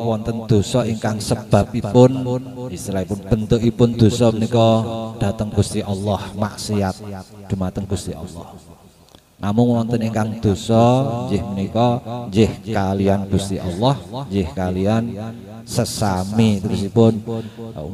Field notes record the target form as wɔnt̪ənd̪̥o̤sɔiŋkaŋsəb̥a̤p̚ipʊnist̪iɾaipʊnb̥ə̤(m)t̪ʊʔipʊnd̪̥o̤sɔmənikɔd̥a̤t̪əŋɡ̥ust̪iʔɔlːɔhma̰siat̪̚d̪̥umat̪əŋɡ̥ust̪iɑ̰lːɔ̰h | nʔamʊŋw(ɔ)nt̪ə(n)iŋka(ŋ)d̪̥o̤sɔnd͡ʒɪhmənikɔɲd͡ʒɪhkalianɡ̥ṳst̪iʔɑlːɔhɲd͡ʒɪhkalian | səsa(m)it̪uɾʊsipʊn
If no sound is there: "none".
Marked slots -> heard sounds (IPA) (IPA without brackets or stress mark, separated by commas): n, ɔ, n, ŋ, m